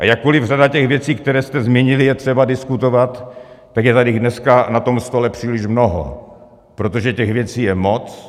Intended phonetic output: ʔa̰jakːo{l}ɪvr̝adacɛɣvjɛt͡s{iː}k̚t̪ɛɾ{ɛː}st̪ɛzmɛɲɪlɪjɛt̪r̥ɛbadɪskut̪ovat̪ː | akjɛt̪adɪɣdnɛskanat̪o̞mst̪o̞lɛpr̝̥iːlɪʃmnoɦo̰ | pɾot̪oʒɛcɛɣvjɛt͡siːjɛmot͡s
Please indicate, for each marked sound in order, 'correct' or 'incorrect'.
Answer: correct, correct, correct

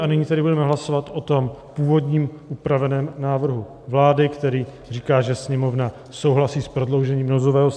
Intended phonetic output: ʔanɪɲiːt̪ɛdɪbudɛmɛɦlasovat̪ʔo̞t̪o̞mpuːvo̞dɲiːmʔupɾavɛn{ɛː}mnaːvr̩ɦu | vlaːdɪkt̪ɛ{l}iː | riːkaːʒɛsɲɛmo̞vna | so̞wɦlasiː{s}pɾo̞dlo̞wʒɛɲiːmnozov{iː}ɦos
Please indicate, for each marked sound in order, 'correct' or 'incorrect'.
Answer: correct, incorrect: ɾ, correct, incorrect: ɛː

